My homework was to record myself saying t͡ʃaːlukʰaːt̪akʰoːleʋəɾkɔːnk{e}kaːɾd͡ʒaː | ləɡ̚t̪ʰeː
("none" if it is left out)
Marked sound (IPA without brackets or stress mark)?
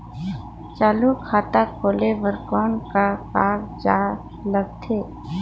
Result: a